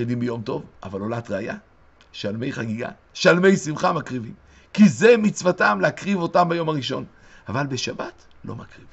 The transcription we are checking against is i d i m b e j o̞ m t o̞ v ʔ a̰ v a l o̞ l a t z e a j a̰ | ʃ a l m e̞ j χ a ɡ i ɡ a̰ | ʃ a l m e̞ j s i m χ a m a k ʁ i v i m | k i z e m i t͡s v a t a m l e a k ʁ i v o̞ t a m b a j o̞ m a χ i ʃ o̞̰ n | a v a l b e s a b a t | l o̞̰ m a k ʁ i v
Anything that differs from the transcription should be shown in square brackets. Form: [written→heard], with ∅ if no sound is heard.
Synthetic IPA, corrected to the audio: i d i m b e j o̞ m t o̞ v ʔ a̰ v a l o̞ l a t [z→ʁ] e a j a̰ | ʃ a l m e̞ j χ a ɡ i ɡ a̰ | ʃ a l m e̞ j s i m χ a m a k ʁ i v i m | k i z e m i t͡s v a t a m l e a k ʁ i v o̞ t a m b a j o̞ m a [χ→ʁ] i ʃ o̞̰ n | a v a l b e [s→ʃ] a b a t | l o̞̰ m a k ʁ i v